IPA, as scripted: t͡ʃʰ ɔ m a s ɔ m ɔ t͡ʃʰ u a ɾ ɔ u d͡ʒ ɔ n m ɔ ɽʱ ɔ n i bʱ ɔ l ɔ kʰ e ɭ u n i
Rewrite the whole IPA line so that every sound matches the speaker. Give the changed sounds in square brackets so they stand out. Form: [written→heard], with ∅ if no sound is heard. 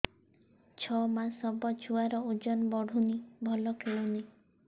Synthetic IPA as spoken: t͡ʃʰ ɔ m a s ɔ [m→b] ɔ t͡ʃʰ u a ɾ ɔ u d͡ʒ ɔ n [m→b] ɔ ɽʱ [ɔ→u] n i bʱ ɔ l ɔ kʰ e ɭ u n i